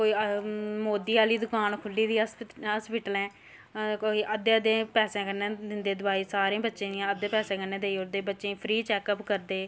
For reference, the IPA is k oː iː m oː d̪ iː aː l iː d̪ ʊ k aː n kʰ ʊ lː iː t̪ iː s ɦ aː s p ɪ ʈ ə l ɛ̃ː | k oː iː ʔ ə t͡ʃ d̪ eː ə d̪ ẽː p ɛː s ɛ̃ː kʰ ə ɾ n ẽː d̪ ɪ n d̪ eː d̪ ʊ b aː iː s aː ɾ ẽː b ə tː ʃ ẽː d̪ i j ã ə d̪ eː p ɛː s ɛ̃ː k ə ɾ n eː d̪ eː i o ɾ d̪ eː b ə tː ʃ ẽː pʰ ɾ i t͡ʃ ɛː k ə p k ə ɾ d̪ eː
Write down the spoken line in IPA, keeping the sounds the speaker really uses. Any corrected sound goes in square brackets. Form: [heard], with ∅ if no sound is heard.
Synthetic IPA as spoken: k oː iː m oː d̪ iː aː l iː d̪ ʊ k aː n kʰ ʊ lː iː [d̪] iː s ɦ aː s p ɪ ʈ ə l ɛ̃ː | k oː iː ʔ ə [∅] d̪ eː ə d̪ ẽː p ɛː s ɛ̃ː [k] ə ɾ n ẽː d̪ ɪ n d̪ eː d̪ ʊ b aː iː s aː ɾ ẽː b ə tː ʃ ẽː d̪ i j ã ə d̪ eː p ɛː s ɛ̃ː k ə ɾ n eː d̪ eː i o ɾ d̪ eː b ə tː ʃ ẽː pʰ ɾ [iː] t͡ʃ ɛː k ə p k ə ɾ d̪ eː